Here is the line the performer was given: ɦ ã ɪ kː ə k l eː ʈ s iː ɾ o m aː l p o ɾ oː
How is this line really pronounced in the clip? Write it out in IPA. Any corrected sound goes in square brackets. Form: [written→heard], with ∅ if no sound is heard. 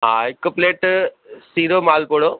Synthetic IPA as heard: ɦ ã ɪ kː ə [k→p] l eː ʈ s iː ɾ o m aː l p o [ɾ→ɽ] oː